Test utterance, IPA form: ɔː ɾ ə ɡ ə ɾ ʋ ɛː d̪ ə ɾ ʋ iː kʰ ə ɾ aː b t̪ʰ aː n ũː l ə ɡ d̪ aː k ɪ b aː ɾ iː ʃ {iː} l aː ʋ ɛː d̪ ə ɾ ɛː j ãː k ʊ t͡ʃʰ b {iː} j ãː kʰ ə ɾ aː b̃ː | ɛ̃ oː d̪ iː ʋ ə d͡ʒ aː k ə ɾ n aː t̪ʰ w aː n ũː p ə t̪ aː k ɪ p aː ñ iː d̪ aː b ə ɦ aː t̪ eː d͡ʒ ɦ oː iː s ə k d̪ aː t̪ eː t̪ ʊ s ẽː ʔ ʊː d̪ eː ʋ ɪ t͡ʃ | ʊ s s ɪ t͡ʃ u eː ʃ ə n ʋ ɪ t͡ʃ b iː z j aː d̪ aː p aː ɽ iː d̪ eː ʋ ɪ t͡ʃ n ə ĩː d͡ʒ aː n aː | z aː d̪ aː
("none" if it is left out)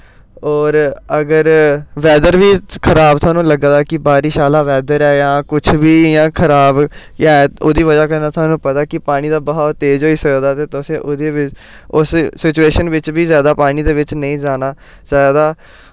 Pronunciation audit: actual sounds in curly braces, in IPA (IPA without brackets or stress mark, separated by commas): aː, iː